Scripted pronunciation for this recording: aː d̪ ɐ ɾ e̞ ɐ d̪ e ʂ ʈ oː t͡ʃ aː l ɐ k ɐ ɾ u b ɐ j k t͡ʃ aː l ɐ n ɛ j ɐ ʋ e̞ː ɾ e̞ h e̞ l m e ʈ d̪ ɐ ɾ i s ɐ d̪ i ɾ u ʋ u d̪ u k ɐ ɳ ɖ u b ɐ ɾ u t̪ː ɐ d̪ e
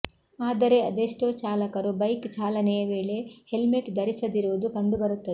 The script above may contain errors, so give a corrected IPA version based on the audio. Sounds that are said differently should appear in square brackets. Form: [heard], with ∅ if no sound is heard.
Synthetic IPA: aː d̪ ɐ ɾ e̞ ɐ d̪ e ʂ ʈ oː t͡ʃ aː l ɐ k ɐ ɾ u b ɐ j k t͡ʃ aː l ɐ n ɛ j ɐ ʋ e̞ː [ɭ] e̞ h e̞ l m e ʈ d̪ ɐ ɾ i s ɐ d̪ i ɾ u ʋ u d̪ u k ɐ ɳ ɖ u b ɐ ɾ u t̪ː ɐ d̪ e